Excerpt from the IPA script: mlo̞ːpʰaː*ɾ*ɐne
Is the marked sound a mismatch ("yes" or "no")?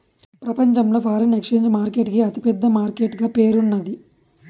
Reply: no